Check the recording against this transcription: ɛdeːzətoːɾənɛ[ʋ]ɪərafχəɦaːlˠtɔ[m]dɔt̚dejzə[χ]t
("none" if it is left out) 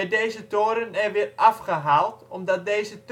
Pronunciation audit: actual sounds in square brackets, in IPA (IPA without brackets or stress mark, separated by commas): ʋ, m, none